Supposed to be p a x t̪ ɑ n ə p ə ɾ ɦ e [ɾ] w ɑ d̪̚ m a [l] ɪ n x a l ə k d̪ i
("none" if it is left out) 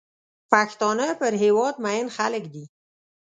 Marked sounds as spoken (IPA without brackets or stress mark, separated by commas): none, none